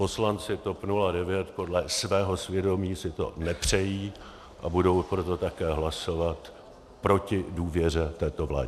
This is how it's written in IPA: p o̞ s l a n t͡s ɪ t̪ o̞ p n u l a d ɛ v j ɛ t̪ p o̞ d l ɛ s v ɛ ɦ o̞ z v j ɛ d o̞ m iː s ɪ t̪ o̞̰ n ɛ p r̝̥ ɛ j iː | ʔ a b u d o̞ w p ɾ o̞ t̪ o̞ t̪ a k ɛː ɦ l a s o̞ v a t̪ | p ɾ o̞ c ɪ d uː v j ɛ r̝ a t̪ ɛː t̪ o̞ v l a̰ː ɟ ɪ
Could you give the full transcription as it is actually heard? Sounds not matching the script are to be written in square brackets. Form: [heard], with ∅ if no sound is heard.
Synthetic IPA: p o̞ s l a n t͡s ɪ t̪ o̞ p n u l a d ɛ v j ɛ t̪ p o̞ d l ɛ s v [ɛː] ɦ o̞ [s] v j ɛ d o̞ m iː s ɪ t̪ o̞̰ n ɛ p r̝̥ ɛ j iː | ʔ a b u d o̞ w p ɾ o̞ t̪ o̞ t̪ a k ɛː ɦ l a s o̞ v a t̪ | p ɾ o̞ c ɪ d uː v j ɛ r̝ [ɛ] t̪ ɛː t̪ o̞ v l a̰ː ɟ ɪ